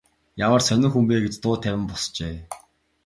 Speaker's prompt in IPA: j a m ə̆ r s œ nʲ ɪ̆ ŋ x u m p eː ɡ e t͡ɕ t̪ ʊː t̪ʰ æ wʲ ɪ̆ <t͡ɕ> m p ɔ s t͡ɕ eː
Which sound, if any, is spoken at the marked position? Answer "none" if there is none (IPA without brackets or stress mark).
none